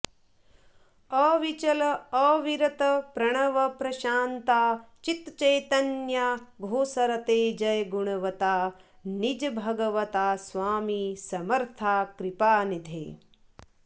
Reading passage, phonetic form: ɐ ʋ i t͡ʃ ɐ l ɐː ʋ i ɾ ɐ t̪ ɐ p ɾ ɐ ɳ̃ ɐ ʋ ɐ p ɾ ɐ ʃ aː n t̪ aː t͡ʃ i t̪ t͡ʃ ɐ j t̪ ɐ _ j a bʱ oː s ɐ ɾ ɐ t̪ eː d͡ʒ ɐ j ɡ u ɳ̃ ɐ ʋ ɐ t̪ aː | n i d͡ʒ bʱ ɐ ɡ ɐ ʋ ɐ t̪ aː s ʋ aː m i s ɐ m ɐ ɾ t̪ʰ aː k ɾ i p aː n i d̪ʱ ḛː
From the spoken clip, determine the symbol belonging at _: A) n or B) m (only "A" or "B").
A